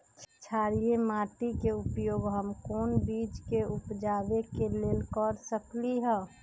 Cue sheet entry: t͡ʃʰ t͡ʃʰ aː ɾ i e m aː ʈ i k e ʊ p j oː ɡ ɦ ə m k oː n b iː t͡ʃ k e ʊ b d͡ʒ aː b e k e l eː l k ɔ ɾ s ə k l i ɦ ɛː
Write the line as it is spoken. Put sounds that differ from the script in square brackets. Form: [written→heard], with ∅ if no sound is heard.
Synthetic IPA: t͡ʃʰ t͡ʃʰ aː ɾ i e m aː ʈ i k e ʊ p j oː ɡ ɦ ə m k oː n b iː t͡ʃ k e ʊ [b→p] d͡ʒ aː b e k e l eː l k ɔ ɾ s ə k l i ɦ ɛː